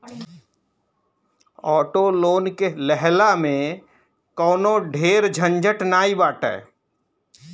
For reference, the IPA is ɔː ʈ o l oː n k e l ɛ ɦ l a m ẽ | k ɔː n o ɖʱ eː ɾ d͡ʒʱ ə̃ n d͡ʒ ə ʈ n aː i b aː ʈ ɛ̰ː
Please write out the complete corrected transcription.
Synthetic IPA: ɔː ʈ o l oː n k e l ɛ ɦ l a m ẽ | k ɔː n o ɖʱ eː ɾ d͡ʒʱ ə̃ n d͡ʒ ə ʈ n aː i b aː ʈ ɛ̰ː